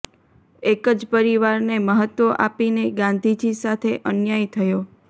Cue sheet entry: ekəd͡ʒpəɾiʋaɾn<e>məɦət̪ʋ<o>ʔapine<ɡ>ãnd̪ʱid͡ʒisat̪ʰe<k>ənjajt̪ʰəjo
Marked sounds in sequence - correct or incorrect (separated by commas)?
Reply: correct, correct, correct, incorrect